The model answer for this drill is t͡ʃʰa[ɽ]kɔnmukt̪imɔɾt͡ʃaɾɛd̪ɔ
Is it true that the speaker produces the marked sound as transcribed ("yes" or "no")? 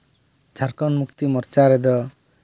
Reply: no